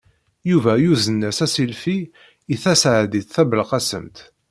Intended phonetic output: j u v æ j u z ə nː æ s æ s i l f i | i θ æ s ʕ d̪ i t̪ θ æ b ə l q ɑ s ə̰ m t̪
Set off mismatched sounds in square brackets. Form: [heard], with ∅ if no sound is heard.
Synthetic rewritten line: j u v æ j u z ə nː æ s æ s i l f i | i θ æ s ʕ d̪ i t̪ θ æ b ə l q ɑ s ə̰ m t̪